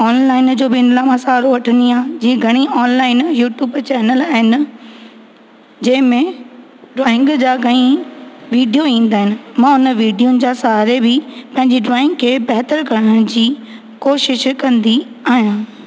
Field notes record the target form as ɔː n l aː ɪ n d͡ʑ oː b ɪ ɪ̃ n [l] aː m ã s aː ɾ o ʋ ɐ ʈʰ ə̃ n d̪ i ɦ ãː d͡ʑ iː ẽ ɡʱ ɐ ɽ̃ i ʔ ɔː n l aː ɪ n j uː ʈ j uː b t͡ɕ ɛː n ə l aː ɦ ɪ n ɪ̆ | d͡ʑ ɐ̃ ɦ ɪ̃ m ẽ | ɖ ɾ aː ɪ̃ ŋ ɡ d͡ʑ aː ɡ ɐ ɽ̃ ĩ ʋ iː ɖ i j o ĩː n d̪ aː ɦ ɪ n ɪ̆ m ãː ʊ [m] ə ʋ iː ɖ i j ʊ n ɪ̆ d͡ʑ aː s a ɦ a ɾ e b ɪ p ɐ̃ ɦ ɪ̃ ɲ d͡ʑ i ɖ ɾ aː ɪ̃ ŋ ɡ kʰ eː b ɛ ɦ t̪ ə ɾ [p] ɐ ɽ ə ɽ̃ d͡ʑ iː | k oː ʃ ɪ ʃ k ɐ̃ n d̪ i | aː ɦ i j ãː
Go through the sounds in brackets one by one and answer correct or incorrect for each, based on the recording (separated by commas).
correct, incorrect, incorrect